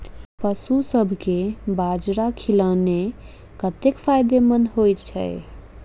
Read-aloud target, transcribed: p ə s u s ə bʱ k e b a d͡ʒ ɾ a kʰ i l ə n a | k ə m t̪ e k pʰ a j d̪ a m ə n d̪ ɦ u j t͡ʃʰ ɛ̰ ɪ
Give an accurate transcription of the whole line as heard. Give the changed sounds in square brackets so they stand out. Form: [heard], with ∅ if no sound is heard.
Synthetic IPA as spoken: p ə s u s ə bʱ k e b a d͡ʒ ɾ a kʰ i l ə n [e] | k ə [∅] t̪ e k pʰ a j d̪ [e] m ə n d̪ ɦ [o] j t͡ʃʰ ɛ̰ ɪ